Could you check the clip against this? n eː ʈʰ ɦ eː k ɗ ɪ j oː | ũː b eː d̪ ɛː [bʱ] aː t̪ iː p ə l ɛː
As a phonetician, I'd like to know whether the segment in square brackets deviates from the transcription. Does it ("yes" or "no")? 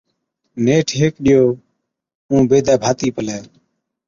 no